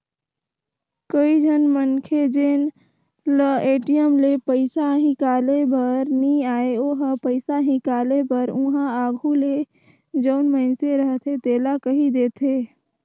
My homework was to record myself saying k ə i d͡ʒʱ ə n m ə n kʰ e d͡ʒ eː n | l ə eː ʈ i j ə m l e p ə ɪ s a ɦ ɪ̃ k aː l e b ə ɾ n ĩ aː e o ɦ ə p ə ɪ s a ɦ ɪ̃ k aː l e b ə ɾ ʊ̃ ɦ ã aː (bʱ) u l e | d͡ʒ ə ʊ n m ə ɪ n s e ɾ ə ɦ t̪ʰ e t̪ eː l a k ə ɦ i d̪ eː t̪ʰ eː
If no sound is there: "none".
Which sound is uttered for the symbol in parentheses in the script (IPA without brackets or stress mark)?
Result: ɡʱ